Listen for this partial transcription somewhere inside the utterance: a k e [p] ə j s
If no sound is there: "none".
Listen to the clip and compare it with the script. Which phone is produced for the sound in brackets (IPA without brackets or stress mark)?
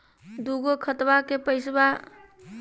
p